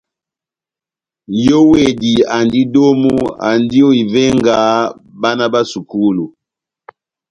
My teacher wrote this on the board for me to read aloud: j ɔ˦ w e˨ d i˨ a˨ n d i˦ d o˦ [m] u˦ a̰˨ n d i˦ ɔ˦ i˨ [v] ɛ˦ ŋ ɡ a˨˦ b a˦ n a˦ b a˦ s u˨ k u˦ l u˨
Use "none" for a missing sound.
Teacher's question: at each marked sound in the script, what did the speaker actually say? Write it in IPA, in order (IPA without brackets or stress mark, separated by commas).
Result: m, v